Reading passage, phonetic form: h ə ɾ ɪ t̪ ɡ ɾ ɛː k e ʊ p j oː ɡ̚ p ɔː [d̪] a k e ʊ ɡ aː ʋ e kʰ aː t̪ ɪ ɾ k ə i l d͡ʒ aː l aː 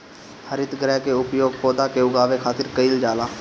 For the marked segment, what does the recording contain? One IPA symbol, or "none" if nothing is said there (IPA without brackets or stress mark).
d̪